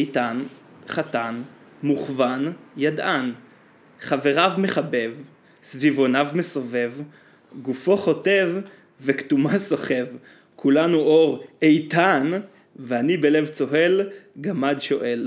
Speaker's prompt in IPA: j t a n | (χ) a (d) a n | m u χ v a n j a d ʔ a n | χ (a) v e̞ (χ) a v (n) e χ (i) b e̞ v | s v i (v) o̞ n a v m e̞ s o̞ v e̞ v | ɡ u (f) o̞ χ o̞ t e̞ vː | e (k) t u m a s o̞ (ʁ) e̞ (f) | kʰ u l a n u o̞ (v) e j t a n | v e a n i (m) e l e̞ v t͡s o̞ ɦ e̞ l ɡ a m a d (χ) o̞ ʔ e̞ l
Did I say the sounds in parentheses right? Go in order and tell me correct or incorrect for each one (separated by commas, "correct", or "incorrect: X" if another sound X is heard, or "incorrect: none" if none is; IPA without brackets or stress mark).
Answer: correct, incorrect: t, correct, incorrect: ʁ, incorrect: m, incorrect: a, correct, correct, correct, incorrect: χ, incorrect: v, incorrect: ʁ, incorrect: b, incorrect: ʃ